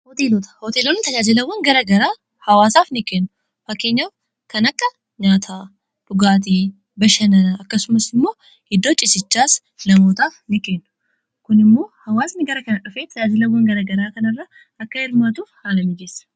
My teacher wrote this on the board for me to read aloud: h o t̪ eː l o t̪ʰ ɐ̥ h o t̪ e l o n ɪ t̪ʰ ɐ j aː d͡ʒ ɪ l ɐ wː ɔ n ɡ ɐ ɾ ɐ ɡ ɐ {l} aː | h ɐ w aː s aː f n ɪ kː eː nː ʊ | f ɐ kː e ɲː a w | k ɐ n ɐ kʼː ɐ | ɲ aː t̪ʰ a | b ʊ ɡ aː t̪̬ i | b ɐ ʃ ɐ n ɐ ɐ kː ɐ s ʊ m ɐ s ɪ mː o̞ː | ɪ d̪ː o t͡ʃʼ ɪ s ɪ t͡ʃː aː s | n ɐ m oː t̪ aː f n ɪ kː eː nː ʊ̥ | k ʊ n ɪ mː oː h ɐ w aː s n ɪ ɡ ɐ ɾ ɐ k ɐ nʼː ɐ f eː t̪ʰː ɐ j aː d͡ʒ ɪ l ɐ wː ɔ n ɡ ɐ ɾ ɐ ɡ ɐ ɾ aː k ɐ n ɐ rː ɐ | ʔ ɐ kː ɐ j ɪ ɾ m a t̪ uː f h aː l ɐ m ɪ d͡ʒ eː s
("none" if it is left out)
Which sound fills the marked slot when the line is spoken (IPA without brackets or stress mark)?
ɾ